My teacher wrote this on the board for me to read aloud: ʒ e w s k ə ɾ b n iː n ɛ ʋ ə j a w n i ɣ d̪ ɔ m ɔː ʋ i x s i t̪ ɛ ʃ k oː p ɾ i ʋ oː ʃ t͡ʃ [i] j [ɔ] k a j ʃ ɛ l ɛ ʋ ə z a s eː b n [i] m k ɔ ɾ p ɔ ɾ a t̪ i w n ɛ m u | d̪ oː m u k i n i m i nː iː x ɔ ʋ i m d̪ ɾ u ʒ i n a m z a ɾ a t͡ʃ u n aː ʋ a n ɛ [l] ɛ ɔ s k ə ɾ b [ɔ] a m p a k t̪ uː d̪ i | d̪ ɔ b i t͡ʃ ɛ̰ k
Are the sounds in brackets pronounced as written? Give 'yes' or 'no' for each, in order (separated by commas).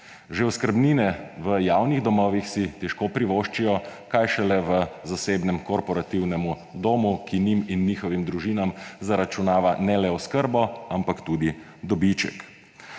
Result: yes, yes, no, yes, yes